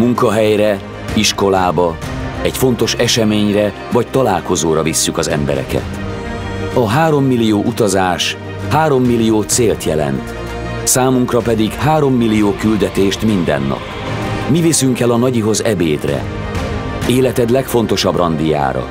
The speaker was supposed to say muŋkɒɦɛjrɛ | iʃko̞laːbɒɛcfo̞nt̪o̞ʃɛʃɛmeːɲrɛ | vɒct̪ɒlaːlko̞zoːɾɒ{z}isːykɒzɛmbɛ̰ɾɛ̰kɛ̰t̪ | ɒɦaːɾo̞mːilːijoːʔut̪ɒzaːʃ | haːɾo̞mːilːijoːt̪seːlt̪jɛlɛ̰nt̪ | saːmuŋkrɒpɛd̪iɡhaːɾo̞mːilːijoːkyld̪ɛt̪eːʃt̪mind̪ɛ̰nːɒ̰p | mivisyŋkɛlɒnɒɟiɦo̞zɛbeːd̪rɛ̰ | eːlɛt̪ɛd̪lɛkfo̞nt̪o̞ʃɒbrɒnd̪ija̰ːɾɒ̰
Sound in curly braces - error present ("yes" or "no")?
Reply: yes